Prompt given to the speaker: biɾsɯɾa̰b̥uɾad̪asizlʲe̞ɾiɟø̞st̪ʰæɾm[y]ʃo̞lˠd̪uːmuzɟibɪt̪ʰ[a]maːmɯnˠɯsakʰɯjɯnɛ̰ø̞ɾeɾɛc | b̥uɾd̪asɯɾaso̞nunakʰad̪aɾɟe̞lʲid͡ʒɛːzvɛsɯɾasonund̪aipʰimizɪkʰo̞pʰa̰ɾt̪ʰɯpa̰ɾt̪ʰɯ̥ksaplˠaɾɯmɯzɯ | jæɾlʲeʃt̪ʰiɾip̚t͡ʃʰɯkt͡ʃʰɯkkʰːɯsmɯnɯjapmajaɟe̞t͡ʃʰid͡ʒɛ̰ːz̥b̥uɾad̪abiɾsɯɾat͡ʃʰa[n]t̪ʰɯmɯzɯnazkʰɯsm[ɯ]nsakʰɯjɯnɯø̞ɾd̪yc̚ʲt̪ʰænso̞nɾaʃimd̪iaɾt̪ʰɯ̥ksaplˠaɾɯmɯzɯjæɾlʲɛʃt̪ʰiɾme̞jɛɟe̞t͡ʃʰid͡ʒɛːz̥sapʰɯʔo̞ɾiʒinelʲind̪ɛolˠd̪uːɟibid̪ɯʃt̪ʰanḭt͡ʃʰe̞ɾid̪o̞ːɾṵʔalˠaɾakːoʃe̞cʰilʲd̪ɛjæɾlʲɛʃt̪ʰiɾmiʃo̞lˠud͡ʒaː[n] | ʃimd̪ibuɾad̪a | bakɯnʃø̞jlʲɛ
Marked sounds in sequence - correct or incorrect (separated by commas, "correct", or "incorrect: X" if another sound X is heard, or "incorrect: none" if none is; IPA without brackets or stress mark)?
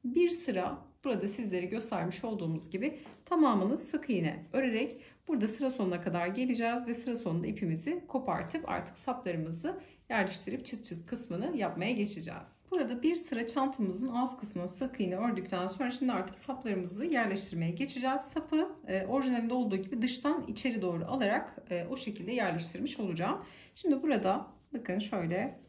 incorrect: i, correct, correct, correct, incorrect: m